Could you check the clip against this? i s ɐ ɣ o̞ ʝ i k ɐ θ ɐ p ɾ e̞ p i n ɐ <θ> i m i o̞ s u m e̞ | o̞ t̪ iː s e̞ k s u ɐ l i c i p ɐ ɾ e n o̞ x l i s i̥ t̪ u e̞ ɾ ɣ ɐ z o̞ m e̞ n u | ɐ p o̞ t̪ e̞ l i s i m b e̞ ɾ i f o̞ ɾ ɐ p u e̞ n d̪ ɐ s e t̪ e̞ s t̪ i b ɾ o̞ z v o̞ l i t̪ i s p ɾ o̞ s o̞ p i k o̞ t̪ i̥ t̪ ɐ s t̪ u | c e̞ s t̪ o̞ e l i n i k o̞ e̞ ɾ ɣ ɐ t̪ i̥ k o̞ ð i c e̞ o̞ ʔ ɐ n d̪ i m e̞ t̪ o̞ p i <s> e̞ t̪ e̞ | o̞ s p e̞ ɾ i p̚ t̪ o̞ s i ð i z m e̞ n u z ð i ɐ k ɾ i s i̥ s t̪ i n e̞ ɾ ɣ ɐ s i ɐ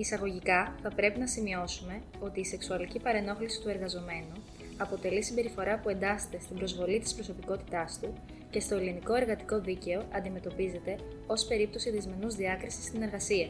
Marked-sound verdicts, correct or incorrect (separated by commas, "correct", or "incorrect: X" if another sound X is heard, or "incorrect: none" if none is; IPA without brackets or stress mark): incorrect: s, incorrect: z